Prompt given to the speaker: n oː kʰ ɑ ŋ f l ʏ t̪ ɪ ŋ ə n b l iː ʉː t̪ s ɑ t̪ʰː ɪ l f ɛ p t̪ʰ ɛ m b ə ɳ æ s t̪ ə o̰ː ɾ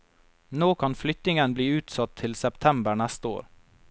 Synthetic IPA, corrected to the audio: n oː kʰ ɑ n f l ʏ t̪ ɪ ŋ ə n b l iː ʉː t̪ s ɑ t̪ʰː ɪ l s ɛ p t̪ʰ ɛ m b ə ɳ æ s t̪ ə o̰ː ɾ